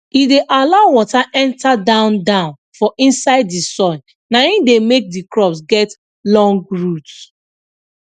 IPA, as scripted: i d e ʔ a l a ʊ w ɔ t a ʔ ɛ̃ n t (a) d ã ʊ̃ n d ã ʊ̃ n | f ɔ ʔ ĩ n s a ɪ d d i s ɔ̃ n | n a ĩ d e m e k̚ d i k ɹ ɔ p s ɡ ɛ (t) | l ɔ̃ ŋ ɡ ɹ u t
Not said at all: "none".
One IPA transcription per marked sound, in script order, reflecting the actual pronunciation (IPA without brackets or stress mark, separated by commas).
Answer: a, t